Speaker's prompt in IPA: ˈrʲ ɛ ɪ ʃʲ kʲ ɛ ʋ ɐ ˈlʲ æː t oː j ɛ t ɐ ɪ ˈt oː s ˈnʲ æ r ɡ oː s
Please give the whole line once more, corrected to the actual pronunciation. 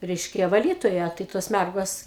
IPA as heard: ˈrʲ ɛ ɪ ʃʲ kʲ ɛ ʋ ɐ ˈlʲ iː t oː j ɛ t ɐ ɪ ˈt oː s ˈmʲ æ r ɡ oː s